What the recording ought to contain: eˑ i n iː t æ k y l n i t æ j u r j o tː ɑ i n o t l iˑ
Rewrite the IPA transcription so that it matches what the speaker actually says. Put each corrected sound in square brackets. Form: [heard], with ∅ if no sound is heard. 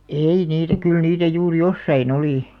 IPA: eˑ i n iː t æ k y l n [iː] t æ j [uː] r j o [sː] ɑ i n o [∅] l iˑ